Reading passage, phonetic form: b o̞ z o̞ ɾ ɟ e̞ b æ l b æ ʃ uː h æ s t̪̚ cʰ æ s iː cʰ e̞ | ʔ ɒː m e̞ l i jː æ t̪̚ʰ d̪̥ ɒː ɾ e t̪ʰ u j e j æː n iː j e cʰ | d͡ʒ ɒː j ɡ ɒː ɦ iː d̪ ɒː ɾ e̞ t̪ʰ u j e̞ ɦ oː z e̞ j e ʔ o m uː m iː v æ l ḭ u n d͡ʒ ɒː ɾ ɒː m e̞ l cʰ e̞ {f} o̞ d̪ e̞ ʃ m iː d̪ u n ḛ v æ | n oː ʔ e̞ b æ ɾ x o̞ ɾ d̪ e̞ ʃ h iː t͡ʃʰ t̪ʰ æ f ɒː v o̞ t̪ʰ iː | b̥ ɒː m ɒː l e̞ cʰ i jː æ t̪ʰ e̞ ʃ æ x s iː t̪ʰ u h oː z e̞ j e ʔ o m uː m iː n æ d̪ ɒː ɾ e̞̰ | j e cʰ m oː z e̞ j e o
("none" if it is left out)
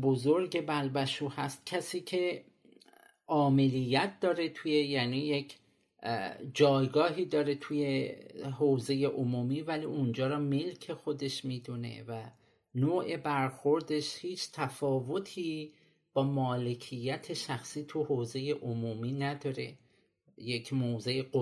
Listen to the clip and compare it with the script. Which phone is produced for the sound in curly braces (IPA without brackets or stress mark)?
x